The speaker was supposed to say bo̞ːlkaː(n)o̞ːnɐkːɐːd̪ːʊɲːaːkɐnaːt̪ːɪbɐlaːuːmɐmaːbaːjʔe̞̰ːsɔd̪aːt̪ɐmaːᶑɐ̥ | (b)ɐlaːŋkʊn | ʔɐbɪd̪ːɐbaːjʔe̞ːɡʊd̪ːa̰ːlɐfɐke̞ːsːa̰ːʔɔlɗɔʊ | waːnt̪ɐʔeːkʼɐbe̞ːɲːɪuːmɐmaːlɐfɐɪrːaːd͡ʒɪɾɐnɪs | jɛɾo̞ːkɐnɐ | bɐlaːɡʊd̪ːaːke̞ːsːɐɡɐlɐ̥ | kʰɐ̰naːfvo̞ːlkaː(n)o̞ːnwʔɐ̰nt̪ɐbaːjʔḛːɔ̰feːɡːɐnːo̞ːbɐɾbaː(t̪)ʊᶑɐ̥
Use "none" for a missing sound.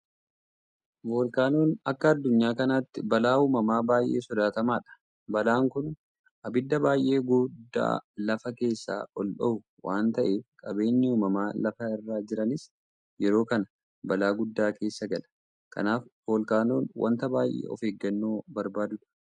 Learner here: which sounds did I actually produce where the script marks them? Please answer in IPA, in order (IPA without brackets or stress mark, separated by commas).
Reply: n, b, n, d̪